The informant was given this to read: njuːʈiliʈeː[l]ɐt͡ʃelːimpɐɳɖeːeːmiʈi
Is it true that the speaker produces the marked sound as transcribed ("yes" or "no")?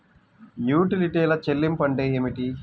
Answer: yes